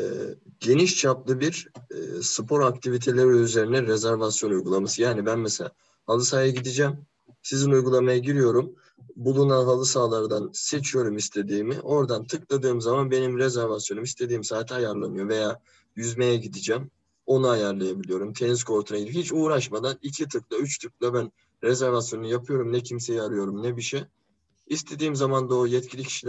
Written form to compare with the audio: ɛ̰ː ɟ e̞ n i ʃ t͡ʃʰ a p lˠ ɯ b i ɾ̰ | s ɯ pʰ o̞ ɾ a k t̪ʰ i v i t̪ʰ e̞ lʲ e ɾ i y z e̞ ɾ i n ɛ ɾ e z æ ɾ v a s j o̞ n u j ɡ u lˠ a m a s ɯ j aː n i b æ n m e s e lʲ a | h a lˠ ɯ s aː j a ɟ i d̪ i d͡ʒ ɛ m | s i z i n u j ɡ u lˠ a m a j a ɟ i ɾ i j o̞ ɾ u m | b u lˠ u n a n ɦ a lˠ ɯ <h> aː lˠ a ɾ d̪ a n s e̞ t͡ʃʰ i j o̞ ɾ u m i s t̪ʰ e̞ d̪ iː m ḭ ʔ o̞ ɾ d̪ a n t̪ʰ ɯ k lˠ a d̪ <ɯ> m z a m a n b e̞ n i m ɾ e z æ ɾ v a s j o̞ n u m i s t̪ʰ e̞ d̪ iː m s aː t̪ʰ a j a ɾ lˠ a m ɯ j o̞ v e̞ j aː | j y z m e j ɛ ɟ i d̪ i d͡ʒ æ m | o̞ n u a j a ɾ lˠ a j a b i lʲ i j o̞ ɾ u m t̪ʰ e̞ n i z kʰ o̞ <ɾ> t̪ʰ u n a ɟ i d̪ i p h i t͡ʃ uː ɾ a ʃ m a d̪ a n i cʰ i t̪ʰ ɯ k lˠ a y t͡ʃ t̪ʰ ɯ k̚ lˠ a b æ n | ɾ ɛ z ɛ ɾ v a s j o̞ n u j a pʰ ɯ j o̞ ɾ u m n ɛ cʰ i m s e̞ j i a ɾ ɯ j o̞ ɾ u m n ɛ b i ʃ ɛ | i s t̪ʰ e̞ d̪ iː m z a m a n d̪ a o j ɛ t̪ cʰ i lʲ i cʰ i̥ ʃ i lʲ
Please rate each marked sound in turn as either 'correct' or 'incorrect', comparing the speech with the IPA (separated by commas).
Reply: incorrect, incorrect, correct